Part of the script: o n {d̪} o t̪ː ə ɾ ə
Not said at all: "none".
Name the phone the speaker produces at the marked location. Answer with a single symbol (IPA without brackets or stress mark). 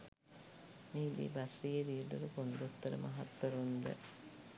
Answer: d̪